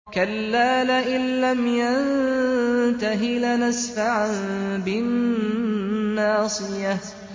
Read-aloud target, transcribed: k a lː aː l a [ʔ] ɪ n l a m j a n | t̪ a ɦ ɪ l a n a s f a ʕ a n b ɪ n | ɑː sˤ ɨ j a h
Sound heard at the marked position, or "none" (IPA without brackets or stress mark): ʔ